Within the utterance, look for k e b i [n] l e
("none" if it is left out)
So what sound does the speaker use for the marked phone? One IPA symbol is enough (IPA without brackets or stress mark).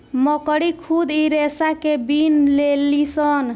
n